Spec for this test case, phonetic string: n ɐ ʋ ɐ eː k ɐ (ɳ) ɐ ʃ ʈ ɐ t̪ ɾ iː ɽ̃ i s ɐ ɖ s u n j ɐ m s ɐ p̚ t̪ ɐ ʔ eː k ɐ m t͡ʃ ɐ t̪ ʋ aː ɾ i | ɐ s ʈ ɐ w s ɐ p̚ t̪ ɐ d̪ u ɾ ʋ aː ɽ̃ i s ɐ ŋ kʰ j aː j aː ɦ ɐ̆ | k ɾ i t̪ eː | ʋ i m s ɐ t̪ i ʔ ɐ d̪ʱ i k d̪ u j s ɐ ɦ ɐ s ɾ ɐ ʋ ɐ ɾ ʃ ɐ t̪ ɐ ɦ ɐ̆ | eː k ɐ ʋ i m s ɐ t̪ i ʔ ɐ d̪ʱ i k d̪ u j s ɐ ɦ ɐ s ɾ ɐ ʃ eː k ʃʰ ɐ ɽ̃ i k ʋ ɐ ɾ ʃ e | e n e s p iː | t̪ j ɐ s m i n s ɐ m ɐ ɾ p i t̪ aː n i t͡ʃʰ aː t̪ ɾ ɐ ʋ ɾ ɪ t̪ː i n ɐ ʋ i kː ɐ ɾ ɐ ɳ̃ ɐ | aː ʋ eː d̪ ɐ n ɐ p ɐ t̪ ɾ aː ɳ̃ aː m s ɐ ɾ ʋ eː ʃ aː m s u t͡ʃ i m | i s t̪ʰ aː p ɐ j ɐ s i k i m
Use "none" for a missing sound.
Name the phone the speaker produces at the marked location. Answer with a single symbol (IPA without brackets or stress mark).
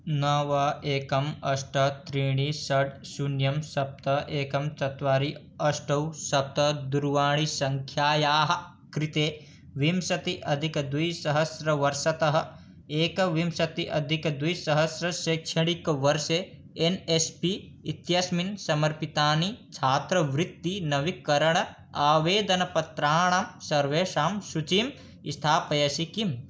m